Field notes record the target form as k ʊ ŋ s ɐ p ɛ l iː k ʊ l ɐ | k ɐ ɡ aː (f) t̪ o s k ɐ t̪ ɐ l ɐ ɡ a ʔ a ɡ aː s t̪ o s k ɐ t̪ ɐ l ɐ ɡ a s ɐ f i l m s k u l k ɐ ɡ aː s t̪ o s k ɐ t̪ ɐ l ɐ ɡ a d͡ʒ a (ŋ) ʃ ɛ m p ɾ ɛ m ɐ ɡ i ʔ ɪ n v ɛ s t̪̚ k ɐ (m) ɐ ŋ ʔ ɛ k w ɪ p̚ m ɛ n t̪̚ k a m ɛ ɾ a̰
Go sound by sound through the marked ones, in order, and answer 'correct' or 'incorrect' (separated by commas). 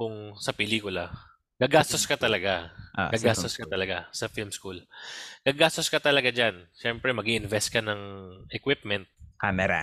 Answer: incorrect, incorrect, incorrect